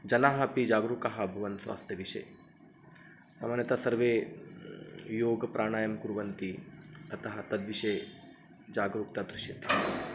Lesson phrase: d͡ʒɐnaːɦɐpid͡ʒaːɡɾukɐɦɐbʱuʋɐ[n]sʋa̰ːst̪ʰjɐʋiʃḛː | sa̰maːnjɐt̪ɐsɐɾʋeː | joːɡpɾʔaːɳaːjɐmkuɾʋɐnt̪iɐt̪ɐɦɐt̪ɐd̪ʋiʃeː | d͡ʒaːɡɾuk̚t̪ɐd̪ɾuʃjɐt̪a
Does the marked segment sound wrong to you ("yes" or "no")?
no